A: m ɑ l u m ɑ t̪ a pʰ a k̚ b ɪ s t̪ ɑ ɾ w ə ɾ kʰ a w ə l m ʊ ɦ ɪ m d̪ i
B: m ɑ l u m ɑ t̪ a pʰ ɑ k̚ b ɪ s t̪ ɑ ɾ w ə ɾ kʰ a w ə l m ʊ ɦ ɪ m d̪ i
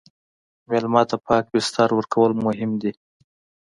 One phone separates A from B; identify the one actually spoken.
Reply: B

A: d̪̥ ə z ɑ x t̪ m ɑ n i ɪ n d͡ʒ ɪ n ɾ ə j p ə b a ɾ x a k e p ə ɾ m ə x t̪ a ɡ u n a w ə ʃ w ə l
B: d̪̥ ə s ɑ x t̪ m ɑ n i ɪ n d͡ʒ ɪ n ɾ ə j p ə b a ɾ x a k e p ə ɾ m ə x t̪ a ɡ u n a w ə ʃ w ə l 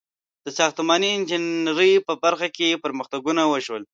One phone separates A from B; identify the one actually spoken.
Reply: B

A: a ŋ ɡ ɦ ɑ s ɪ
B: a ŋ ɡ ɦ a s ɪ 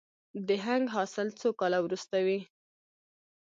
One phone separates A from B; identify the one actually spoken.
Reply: A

